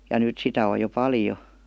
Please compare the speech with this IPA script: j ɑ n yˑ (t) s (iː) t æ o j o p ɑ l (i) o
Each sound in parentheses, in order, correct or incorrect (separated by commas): correct, incorrect, incorrect